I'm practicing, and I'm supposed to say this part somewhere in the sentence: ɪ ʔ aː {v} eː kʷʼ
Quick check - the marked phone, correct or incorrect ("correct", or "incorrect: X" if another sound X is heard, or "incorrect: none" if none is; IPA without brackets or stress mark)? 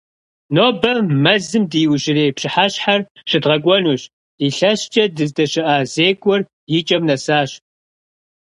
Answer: incorrect: z